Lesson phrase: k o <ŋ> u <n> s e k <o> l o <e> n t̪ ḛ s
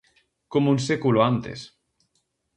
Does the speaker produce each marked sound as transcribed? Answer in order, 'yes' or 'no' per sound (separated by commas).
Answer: no, yes, no, no